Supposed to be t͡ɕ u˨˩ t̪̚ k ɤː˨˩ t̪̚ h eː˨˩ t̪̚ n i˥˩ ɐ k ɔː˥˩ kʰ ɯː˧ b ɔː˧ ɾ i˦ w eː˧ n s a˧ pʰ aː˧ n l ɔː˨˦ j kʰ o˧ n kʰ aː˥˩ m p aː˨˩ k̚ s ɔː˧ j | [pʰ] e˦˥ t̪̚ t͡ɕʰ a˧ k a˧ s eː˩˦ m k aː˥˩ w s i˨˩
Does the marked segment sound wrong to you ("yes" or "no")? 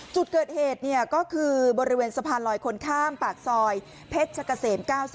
no